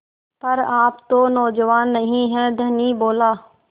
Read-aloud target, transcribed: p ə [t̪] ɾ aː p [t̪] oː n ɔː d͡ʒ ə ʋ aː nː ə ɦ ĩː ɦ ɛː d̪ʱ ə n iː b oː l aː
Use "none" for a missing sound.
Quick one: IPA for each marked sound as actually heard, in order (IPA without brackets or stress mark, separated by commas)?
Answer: none, t̪